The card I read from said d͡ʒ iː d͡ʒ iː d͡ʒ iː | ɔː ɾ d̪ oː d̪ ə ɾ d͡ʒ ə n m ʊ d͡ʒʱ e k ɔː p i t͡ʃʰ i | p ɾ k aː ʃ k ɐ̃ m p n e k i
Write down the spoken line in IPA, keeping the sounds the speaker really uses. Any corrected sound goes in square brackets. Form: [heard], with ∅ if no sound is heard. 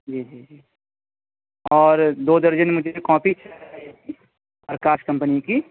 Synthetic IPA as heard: d͡ʒ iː d͡ʒ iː d͡ʒ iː | ɔː ɾ d̪ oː d̪ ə ɾ d͡ʒ ə n m ʊ d͡ʒʱ e k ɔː p i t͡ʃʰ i | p ɾ k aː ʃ k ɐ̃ m p n [i] k i